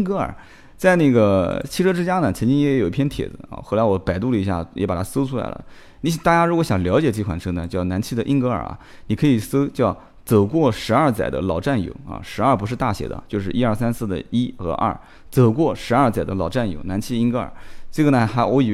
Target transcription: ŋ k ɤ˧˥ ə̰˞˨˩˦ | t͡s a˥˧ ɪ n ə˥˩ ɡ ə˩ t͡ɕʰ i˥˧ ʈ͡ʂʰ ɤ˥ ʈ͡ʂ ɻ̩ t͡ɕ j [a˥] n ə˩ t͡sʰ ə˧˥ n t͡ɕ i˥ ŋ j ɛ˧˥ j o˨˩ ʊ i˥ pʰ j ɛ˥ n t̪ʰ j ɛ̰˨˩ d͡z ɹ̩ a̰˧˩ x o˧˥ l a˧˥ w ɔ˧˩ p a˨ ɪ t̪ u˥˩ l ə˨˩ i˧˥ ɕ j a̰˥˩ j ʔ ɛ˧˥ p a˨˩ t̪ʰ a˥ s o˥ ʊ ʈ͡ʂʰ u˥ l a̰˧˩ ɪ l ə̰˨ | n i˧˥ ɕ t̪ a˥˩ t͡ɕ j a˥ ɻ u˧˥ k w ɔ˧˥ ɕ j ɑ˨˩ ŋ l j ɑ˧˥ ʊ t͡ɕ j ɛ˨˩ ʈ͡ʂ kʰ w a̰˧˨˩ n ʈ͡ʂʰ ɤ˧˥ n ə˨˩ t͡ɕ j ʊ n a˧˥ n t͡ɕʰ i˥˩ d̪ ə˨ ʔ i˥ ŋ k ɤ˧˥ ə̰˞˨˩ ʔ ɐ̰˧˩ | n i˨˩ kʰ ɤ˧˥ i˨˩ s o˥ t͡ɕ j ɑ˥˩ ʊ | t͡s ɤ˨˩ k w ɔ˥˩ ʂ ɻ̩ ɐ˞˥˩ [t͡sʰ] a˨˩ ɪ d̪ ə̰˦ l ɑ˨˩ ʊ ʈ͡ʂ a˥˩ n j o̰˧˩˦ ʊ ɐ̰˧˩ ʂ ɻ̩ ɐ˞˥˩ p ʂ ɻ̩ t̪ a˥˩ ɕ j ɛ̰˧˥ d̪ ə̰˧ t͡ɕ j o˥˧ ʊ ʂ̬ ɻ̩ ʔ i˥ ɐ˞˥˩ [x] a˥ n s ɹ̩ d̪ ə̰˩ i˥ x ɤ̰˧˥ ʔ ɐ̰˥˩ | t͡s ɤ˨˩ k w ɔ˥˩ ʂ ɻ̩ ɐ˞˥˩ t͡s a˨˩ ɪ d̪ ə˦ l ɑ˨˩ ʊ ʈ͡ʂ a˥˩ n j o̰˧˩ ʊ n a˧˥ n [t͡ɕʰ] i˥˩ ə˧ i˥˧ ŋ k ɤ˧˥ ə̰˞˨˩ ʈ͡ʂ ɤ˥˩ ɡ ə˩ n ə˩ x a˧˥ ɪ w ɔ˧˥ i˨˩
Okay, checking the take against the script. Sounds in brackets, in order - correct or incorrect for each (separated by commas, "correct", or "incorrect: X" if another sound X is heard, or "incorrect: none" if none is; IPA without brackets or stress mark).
correct, incorrect: t͡s, incorrect: s, correct